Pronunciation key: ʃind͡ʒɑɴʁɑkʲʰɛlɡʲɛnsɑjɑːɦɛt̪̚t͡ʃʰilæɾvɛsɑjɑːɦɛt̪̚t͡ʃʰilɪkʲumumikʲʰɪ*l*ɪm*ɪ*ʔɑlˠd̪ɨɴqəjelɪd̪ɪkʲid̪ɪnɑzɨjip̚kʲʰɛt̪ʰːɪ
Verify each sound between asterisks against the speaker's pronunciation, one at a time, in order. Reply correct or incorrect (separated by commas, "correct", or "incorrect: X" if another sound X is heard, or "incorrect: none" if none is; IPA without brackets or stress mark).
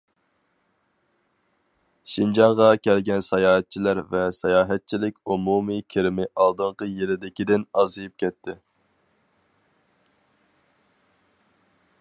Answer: incorrect: ɾ, correct